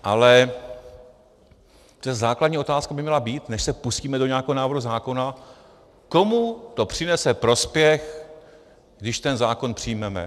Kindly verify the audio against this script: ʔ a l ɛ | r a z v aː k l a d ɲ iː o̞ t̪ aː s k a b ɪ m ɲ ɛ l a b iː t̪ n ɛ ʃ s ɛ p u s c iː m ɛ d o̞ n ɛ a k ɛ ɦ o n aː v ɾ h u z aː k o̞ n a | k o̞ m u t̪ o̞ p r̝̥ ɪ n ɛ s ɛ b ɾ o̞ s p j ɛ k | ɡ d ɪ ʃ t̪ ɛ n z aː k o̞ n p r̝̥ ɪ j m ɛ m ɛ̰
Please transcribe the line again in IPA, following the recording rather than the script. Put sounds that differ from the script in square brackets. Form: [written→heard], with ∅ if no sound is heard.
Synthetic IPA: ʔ a l ɛ | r [a→ɛ] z [v→z] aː k l a d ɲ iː o̞ t̪ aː s k a b ɪ m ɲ ɛ l a b iː t̪ n ɛ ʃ s ɛ p u s c iː m ɛ d o̞ [n→ɲ] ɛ a k ɛ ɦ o n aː v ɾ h u z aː k o̞ n a | k o̞ m u t̪ o̞ p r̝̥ ɪ n ɛ s ɛ [b→p] ɾ o̞ s p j ɛ [k→x] | ɡ d ɪ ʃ t̪ ɛ n z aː k o̞ n p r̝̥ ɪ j m ɛ m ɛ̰